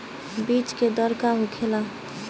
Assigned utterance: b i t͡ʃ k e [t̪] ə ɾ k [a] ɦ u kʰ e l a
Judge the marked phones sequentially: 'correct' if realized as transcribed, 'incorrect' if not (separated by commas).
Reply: incorrect, correct